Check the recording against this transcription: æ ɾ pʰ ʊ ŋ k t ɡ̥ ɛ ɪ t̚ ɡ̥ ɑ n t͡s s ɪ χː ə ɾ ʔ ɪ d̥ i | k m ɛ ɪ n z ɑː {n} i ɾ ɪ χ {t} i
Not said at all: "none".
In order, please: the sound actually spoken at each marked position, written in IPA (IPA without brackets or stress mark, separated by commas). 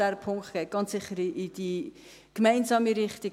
m, t